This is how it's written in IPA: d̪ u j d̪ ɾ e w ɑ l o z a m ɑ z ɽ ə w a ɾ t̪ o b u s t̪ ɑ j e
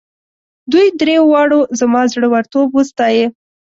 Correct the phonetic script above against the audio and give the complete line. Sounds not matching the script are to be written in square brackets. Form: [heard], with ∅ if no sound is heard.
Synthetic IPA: d̪ u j d̪ ɾ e w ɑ [ɽ] o z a m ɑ z ɽ ə w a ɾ t̪ o b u s t̪ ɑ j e